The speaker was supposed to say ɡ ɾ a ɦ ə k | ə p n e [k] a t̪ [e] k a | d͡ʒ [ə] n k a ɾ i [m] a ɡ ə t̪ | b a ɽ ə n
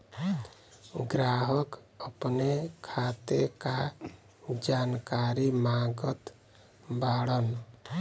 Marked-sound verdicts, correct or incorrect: incorrect, correct, incorrect, correct

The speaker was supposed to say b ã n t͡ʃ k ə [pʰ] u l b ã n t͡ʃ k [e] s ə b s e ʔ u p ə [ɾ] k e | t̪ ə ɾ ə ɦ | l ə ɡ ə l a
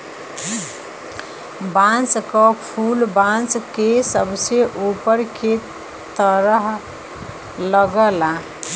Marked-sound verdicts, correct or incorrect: correct, correct, correct

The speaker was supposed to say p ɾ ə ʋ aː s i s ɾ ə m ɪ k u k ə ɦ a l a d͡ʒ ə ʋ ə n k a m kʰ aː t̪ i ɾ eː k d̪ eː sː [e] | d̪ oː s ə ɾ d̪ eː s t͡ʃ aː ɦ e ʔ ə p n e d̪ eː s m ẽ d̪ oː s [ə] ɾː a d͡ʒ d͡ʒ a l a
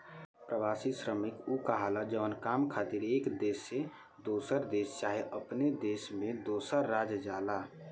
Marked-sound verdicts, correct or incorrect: correct, correct

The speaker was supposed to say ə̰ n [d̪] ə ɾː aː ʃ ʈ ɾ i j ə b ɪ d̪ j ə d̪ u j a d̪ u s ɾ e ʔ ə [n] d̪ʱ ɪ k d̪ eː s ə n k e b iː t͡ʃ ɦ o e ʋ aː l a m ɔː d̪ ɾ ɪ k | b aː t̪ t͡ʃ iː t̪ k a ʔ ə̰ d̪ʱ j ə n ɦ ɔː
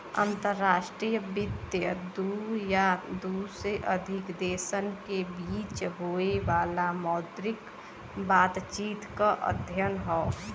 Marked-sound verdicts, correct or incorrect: incorrect, incorrect

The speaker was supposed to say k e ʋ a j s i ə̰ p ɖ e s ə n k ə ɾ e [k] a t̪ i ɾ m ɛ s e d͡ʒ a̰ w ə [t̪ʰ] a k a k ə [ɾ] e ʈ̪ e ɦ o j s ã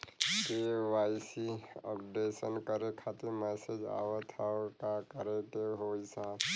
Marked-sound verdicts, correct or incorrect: incorrect, correct, correct

